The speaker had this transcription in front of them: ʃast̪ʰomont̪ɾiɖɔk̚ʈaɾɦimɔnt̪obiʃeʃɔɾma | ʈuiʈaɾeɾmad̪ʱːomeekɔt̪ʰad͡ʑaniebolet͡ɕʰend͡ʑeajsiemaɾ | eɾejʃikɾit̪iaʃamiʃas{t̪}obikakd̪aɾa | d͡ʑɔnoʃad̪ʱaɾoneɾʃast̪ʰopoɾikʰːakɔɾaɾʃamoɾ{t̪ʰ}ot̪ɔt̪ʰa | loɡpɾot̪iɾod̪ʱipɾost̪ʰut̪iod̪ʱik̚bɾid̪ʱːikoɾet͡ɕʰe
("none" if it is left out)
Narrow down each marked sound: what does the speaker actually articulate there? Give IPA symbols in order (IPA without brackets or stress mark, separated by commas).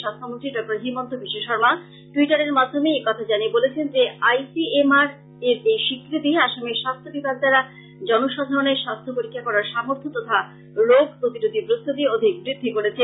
t̪ʰ, t̪ʰ